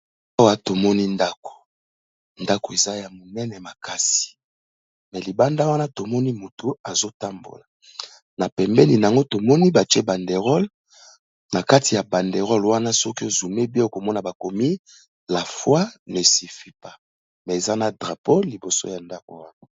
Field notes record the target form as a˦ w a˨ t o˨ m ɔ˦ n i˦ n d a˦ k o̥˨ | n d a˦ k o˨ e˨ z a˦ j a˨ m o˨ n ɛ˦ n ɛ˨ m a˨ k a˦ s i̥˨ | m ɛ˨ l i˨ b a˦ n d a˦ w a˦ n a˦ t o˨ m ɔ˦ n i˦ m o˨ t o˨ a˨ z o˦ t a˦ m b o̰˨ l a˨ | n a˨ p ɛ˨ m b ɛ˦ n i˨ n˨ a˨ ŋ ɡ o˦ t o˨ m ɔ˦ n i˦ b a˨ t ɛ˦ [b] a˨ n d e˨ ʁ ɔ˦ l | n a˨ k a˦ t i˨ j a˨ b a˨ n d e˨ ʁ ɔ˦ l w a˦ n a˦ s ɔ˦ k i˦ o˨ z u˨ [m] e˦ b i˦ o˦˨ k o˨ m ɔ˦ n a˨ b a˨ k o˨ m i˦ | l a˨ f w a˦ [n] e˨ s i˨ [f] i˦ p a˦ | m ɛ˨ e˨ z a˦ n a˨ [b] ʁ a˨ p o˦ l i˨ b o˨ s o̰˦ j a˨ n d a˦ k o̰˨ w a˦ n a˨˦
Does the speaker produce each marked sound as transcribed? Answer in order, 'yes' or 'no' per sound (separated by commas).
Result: yes, yes, yes, yes, no